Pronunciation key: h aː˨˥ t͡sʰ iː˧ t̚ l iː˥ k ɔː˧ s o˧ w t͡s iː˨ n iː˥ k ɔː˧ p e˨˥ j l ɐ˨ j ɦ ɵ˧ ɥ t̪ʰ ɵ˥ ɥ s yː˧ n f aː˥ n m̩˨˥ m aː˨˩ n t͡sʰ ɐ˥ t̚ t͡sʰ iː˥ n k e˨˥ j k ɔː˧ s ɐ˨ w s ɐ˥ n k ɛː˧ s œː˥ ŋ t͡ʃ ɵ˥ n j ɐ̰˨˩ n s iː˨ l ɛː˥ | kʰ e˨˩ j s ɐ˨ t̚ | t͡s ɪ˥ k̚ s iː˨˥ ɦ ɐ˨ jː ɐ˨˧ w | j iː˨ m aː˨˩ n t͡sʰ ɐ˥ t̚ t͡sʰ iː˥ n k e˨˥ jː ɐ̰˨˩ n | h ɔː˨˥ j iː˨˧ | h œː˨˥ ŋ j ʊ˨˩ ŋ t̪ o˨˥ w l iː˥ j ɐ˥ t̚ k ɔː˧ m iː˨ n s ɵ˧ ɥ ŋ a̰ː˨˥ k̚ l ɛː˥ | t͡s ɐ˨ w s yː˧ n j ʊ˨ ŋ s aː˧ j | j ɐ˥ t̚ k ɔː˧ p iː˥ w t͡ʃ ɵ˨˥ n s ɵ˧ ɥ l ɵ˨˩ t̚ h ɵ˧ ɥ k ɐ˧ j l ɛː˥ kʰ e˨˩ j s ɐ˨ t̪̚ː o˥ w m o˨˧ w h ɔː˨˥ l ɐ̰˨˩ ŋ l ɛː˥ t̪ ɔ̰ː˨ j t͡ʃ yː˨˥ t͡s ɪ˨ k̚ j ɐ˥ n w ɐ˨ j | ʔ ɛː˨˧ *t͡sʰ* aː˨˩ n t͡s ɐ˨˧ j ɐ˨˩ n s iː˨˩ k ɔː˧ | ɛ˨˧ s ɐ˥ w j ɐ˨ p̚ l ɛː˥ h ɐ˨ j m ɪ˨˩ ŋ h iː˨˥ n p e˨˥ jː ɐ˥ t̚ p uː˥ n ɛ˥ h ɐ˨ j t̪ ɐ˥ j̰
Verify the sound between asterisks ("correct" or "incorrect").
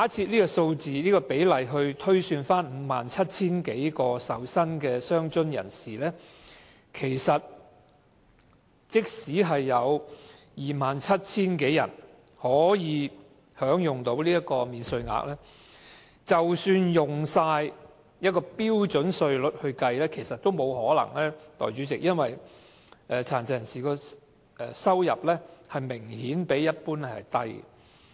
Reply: correct